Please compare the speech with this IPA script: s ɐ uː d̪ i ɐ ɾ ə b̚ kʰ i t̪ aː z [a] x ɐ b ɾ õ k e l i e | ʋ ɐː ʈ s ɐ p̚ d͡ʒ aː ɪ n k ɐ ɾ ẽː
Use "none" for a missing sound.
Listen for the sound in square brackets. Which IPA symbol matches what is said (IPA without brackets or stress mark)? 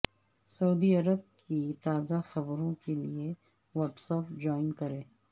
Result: a